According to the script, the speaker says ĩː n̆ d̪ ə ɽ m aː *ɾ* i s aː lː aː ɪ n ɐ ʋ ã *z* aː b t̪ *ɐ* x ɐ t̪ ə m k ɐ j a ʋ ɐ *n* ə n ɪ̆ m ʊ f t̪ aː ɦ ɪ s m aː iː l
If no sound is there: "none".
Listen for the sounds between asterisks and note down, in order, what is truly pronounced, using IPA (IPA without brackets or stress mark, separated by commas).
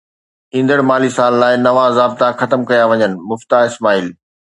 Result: l, z, a, ɲ